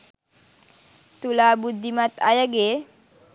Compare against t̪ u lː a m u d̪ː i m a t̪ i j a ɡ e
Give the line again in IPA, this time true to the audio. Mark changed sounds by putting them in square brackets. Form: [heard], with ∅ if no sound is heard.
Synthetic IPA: t̪ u [l] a [b] u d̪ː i m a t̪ [a] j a ɡ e